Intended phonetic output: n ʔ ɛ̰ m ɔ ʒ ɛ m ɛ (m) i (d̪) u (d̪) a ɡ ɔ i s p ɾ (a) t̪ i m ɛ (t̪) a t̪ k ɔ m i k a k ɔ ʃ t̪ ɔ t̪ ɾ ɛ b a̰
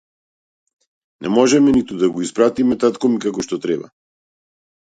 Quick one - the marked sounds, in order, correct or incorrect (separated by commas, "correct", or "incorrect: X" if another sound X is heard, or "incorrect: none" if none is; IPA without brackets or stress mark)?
incorrect: n, incorrect: t̪, correct, correct, correct